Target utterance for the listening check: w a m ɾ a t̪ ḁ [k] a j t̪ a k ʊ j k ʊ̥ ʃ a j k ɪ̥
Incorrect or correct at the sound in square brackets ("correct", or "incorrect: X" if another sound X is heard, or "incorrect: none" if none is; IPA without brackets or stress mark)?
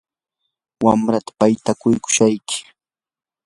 incorrect: p